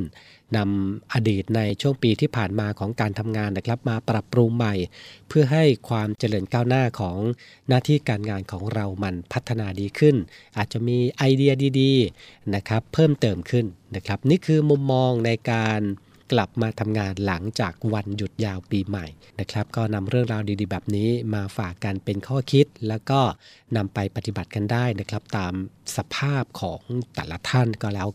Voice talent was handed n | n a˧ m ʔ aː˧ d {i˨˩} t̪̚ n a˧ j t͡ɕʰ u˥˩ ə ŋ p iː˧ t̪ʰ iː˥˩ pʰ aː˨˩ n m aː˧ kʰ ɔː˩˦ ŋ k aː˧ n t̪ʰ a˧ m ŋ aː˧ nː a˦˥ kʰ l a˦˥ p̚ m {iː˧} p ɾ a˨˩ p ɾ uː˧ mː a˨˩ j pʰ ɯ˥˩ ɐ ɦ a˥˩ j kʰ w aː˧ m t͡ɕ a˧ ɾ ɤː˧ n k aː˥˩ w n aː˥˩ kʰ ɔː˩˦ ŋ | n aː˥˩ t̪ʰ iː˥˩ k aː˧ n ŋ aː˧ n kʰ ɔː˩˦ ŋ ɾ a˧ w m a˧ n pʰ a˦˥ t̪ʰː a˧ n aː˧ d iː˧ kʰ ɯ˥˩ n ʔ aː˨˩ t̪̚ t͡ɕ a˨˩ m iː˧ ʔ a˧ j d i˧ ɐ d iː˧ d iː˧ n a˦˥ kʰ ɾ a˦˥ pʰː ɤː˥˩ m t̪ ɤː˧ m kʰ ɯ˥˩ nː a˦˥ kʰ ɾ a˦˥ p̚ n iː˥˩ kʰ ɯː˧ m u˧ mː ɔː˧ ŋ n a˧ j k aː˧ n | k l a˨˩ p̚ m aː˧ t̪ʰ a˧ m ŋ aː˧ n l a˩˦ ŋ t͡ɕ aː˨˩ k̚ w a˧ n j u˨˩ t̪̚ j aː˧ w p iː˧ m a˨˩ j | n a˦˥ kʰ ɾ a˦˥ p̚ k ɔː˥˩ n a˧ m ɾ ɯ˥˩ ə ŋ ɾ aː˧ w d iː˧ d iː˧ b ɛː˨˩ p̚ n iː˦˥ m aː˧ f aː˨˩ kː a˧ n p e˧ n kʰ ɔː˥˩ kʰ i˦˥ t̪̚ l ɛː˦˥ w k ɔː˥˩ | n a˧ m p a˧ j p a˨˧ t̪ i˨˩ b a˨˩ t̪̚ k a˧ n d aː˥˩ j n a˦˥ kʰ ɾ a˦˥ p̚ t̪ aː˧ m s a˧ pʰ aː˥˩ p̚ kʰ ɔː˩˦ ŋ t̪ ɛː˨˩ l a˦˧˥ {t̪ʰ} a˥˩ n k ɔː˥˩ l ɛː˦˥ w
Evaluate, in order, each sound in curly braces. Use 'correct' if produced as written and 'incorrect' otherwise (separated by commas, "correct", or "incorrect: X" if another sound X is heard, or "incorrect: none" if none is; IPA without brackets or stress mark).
incorrect: iː˨˩, incorrect: aː˧, correct